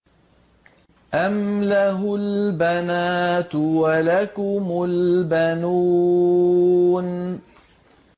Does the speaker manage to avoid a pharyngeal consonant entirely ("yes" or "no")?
yes